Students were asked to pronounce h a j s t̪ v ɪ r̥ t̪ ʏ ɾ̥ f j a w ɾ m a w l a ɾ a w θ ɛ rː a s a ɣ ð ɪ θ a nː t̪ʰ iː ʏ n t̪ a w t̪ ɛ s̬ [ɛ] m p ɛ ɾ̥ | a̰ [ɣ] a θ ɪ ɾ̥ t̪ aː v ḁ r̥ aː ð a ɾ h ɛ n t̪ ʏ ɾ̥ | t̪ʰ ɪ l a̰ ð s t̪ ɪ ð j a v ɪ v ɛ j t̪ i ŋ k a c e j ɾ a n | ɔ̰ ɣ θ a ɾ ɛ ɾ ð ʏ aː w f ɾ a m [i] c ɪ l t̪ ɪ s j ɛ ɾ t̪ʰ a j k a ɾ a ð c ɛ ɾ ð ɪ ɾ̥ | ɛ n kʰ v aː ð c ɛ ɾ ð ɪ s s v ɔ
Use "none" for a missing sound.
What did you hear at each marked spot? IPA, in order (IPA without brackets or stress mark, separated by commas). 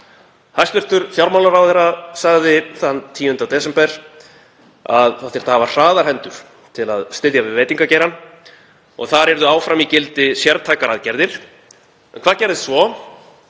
ɛ, ð, i